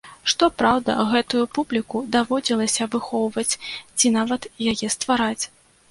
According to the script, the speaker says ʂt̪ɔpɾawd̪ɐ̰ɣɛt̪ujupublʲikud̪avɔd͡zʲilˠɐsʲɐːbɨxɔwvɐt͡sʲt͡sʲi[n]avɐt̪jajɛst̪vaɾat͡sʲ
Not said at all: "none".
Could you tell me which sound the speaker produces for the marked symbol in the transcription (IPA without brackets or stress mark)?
n